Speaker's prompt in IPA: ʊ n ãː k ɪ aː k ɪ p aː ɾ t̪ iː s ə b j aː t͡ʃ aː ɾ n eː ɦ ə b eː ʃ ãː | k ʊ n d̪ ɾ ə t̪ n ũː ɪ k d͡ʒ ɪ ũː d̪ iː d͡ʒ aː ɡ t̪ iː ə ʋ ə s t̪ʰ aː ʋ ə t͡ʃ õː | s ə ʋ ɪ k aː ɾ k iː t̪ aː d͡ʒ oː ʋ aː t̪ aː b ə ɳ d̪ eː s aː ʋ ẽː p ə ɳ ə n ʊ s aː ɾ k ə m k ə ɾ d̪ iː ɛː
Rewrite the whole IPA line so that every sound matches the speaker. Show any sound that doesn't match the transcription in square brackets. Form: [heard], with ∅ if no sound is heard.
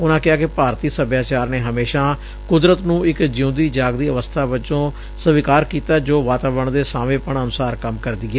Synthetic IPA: ʊ n ãː k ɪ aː k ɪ p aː ɾ t̪ iː s ə b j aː t͡ʃ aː ɾ n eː ɦ ə [m] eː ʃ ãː | k ʊ [∅] d̪ ɾ ə t̪ n ũː ɪ k d͡ʒ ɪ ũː d̪ iː d͡ʒ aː ɡ [d̪] iː ə ʋ ə s t̪ʰ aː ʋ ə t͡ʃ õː | s ə ʋ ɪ k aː ɾ k iː t̪ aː d͡ʒ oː ʋ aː t̪ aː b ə ɳ d̪ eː s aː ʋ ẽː p ə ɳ ə n ʊ s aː ɾ k ə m k ə ɾ d̪ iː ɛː